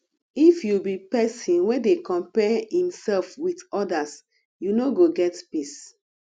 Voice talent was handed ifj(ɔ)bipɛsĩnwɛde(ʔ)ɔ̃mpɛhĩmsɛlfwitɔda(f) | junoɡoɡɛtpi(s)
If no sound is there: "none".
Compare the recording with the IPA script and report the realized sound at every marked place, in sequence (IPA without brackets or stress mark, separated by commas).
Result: u, k, s, s